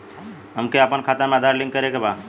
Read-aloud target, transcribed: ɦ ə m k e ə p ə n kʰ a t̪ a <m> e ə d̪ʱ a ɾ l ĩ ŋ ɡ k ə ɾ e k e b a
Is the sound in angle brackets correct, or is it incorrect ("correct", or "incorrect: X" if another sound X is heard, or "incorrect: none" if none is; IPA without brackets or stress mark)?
correct